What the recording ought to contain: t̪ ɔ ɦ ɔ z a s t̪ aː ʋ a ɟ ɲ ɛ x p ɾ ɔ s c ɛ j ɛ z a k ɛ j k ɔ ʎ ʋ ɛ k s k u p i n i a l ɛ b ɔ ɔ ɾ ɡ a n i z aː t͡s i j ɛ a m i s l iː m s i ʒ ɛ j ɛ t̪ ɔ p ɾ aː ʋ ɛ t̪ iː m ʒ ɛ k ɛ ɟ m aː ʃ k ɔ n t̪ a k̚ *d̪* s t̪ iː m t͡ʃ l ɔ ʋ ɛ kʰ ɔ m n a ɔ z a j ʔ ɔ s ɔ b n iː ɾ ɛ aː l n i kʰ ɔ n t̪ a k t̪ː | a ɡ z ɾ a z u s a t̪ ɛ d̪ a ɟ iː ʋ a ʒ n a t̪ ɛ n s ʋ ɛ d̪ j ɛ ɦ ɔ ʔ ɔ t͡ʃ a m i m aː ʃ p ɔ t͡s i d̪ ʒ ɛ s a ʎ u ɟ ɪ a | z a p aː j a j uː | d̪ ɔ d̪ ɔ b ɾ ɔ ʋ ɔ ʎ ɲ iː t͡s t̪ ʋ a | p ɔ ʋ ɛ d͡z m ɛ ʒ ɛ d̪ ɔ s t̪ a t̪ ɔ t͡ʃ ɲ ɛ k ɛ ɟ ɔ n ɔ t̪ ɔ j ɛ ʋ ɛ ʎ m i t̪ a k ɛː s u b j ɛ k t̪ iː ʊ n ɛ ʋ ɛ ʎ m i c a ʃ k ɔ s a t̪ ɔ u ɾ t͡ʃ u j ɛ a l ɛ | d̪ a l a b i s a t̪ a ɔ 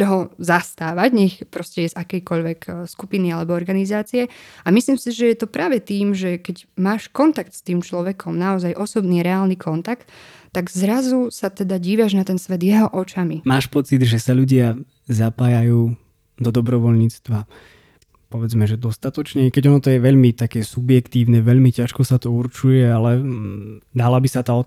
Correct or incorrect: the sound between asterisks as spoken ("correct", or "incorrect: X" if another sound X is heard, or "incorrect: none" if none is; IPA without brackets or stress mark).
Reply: incorrect: t̪